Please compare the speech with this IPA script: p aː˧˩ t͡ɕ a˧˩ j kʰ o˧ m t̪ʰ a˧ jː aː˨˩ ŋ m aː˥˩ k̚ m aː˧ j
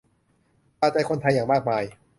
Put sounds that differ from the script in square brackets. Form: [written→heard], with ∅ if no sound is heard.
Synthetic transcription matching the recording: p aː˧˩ t͡ɕ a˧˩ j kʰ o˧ [m→n] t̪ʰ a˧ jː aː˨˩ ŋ m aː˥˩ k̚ m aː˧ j